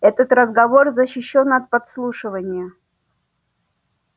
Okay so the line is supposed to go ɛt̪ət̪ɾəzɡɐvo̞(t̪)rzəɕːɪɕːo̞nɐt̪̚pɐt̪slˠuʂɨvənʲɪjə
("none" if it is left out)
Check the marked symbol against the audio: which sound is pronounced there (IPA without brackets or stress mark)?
none